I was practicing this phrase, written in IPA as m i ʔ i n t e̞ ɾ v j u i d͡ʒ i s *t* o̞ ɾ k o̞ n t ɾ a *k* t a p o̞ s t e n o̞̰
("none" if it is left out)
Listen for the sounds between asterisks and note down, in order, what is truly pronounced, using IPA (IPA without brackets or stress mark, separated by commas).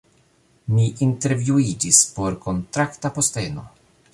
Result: p, k